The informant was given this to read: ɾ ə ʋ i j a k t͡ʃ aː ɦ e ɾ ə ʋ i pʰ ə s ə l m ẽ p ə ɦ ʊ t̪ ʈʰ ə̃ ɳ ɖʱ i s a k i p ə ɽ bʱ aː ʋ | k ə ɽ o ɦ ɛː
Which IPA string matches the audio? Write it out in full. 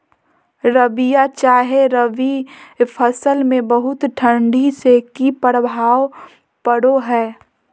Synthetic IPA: ɾ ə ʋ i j a t͡ʃ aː ɦ e ɾ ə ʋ i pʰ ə s ə l m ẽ b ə ɦ ʊ t̪ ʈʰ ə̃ ɳ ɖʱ i s e k i p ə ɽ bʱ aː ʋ | p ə ɽ o ɦ ɛː